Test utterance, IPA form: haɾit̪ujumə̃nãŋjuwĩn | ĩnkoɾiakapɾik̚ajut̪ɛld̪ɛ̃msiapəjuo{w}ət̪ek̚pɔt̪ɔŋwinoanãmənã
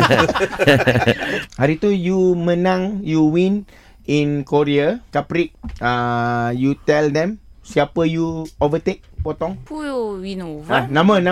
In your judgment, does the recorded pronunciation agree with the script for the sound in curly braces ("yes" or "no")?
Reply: no